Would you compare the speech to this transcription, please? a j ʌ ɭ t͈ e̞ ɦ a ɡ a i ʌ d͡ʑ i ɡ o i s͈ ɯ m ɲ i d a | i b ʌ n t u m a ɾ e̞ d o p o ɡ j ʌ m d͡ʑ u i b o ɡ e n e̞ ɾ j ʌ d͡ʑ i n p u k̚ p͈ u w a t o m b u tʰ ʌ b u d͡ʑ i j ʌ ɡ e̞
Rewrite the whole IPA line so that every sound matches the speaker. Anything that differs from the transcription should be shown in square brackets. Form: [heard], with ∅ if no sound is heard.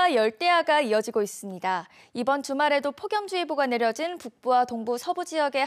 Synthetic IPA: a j ʌ ɭ t͈ e̞ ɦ a ɡ a i ʌ d͡ʑ i ɡ o i s͈ ɯ m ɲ i d a | i b ʌ n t u m a ɾ e̞ d o [pʰ] o ɡ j ʌ m d͡ʑ u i b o ɡ [a] n e̞ ɾ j ʌ d͡ʑ i n p u k̚ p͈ u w a t o [ŋ] b u [sʰ] ʌ b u d͡ʑ i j ʌ ɡ e̞